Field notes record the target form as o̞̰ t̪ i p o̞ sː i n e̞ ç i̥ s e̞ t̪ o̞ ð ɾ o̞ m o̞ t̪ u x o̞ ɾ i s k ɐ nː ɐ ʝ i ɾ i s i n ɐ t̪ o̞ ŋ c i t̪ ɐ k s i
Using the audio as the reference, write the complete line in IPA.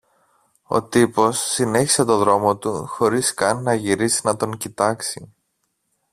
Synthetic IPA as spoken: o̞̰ t̪ i p o̞ sː i n e̞ ç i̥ s e̞ t̪ o̞ ð ɾ o̞ m o̞ t̪ u x o̞ ɾ i s k ɐ nː ɐ ʝ i ɾ i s i n ɐ t̪ o̞ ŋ c i t̪ ɐ k s i